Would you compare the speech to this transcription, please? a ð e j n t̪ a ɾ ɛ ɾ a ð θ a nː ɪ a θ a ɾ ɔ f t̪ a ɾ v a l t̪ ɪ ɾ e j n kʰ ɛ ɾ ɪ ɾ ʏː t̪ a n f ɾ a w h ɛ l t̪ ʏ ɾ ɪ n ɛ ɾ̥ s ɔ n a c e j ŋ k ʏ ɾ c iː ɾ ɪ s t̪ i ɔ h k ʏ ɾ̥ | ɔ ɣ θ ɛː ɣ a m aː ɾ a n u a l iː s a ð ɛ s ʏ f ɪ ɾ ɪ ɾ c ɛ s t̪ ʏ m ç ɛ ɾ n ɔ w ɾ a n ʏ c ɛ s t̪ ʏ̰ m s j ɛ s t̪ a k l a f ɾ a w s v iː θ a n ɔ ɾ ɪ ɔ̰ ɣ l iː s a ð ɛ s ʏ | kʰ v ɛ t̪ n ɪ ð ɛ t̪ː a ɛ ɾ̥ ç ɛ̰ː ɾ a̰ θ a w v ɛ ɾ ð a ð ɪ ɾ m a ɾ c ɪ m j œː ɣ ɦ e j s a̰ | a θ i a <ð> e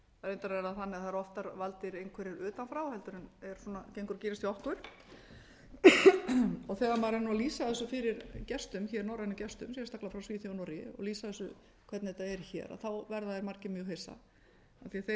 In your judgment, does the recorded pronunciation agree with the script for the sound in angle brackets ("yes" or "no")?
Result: no